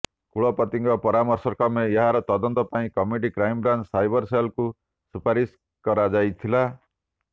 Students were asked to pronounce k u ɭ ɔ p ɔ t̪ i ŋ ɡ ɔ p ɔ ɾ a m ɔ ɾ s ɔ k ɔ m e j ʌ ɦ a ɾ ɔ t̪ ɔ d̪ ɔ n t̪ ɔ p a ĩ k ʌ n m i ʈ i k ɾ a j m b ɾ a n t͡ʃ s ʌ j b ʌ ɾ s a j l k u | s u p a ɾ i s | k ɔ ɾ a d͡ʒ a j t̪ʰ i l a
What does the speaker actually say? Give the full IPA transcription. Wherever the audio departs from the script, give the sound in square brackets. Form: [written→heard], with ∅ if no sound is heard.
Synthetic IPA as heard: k u ɭ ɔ p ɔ t̪ i ŋ ɡ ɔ p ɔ ɾ a m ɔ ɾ s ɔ k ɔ m e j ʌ ɦ a ɾ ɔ t̪ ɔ d̪ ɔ n t̪ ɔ p a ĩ k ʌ [n→∅] m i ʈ i k ɾ a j m b ɾ a n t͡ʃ s [ʌ→a] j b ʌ ɾ s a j l k u | s u p a ɾ i s | k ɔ ɾ a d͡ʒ a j t̪ʰ i l a